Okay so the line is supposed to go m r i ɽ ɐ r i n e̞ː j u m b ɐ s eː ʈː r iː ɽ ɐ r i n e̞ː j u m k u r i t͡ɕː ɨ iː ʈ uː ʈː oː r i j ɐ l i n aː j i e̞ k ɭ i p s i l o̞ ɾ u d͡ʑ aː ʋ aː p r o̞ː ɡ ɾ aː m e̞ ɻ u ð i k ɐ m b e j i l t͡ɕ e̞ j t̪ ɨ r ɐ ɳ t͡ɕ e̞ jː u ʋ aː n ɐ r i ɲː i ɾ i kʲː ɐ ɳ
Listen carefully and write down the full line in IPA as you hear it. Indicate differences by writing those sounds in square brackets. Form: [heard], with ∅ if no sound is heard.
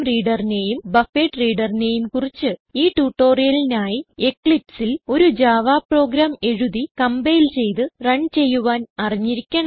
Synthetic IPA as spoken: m r [iː] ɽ ɐ r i n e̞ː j u m b ɐ [f] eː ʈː r iː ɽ ɐ r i n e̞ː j u m k u r i t͡ɕː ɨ iː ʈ uː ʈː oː r i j ɐ l i n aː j i e̞ k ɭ i p s i l o̞ ɾ u d͡ʑ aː ʋ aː p r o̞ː ɡ ɾ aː m e̞ ɻ u ð i k ɐ m b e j i l t͡ɕ e̞ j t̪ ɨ r ɐ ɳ t͡ɕ e̞ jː u ʋ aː n ɐ r i ɲː i ɾ i kʲː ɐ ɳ